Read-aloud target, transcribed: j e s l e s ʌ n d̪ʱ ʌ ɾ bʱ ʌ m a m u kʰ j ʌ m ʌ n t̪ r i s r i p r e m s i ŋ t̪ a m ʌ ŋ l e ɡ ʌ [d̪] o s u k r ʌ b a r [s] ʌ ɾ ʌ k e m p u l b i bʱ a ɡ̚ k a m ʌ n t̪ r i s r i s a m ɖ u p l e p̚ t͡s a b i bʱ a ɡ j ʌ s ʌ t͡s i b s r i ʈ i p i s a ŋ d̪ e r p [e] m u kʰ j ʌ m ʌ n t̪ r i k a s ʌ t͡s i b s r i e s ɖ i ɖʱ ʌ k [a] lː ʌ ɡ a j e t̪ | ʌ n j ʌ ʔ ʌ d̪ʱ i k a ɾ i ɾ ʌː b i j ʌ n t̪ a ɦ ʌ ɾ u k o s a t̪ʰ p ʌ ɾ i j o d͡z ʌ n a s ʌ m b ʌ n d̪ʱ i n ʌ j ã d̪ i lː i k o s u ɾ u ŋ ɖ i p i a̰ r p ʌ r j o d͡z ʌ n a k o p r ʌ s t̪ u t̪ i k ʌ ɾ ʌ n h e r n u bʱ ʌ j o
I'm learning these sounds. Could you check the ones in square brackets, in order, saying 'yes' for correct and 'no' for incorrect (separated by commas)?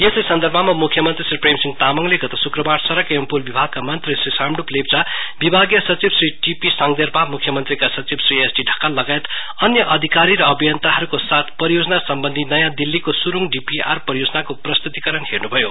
no, yes, no, yes